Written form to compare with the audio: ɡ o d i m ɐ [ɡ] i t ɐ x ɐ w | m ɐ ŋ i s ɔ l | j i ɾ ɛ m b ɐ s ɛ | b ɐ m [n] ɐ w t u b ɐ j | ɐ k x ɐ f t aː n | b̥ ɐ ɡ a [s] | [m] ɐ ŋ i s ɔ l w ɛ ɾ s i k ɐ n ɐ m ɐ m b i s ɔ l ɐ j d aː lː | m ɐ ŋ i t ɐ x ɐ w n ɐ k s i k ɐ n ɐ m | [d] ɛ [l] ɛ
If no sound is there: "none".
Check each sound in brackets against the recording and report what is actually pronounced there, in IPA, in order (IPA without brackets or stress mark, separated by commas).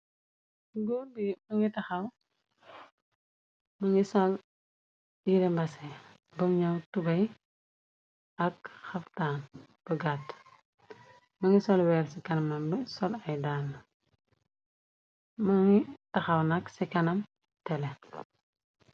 ŋ, ɲ, t, m, t, l